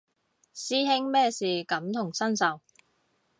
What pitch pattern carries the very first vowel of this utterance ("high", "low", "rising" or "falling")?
high